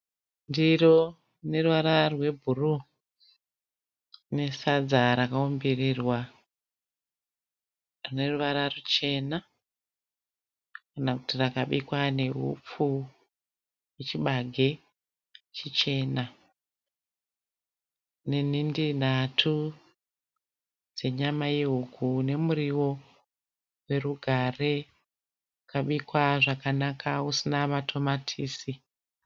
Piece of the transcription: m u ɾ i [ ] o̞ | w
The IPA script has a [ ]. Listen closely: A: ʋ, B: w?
B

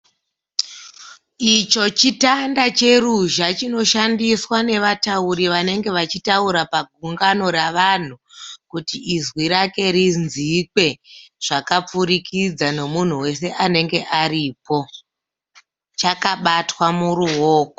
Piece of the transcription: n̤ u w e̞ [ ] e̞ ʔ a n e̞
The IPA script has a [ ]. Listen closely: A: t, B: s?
B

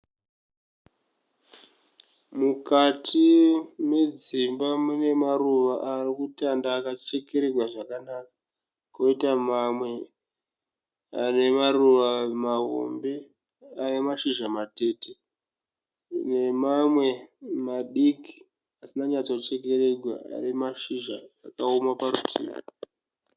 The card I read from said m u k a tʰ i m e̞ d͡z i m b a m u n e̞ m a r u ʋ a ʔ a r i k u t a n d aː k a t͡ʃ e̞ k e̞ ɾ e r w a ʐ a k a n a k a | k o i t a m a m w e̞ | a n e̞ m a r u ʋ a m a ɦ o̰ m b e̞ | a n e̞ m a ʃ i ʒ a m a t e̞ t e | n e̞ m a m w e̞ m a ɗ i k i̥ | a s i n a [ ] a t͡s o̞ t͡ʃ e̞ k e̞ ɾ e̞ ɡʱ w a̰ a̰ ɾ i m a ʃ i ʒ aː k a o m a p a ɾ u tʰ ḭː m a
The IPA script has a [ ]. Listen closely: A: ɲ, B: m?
A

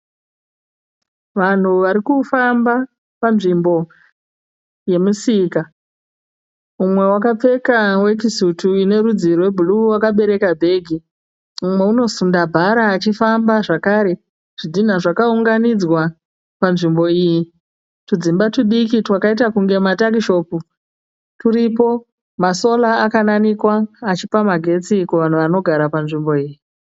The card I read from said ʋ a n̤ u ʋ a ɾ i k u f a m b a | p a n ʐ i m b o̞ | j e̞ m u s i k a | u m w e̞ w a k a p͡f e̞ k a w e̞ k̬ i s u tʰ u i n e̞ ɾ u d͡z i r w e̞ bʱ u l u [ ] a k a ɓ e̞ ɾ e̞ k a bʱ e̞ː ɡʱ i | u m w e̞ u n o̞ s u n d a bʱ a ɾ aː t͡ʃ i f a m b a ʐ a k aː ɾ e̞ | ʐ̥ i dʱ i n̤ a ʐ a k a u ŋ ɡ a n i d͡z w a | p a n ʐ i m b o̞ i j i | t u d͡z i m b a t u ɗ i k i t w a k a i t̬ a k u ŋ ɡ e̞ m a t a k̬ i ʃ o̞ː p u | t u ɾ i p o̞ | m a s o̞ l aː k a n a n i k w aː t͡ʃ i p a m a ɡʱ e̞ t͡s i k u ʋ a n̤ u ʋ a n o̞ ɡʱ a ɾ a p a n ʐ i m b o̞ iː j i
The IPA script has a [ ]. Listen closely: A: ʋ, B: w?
B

